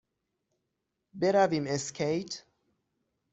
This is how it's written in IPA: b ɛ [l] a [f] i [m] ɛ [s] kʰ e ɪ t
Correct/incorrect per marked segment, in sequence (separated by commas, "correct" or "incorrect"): incorrect, incorrect, correct, correct